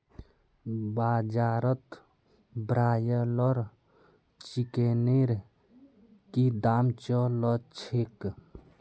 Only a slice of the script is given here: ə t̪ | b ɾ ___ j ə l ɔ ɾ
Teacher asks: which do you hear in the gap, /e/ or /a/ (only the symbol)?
a